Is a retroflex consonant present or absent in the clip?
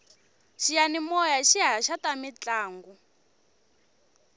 absent